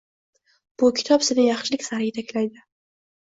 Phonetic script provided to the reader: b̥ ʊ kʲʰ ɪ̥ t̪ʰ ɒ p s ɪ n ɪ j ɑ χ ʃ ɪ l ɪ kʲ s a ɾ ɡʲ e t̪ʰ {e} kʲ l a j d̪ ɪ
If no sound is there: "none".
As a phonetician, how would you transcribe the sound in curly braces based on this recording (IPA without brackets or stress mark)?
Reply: a